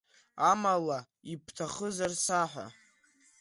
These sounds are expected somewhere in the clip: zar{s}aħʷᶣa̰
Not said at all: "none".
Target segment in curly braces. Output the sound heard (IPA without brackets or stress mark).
s